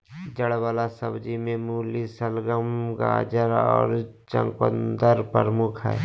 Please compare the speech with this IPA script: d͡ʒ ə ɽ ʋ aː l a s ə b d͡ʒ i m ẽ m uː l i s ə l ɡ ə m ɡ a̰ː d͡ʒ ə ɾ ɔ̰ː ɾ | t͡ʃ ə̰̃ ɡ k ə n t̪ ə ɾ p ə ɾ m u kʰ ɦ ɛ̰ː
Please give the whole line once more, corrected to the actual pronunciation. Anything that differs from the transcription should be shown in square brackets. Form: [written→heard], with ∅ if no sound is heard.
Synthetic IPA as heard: d͡ʒ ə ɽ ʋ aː l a s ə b d͡ʒ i m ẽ m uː l i s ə l ɡ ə m ɡ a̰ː d͡ʒ ə ɾ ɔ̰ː ɾ | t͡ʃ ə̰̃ [ɡ→ŋ] k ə n [t̪→d̪] ə ɾ p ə ɾ m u kʰ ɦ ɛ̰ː